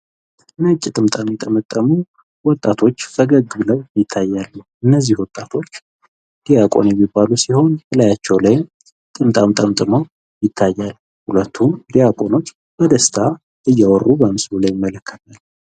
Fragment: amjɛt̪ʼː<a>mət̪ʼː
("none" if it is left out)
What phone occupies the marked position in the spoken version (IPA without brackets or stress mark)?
ə